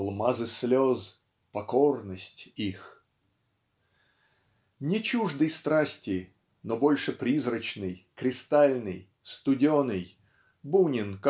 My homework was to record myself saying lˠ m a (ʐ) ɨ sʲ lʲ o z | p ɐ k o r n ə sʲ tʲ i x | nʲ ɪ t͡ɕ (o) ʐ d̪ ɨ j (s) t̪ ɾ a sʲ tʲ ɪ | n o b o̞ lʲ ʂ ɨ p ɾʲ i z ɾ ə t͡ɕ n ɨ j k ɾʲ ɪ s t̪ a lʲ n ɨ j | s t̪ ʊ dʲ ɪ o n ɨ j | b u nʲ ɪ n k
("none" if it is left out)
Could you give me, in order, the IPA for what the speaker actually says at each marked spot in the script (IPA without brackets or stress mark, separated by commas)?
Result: z, u, s